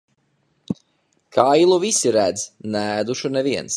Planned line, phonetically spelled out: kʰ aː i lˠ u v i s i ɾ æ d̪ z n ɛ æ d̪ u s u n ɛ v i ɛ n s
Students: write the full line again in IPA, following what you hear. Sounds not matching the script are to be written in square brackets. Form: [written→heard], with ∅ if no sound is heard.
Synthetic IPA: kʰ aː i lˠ u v i s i ɾ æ d̪ z n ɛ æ d̪ u [s→ʃ] u n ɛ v i ɛ n s